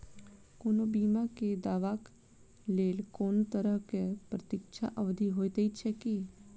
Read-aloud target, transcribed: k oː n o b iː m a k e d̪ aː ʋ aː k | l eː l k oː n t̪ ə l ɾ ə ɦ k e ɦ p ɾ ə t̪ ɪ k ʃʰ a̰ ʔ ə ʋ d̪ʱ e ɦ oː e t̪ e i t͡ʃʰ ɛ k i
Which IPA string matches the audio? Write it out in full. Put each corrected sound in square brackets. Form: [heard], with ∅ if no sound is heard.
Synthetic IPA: k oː n o b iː m a k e d̪ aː ʋ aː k | l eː l k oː n t̪ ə [∅] ɾ ə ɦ k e [∅] p ɾ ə t̪ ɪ k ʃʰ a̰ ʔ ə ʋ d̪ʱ [i] ɦ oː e t̪ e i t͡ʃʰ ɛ k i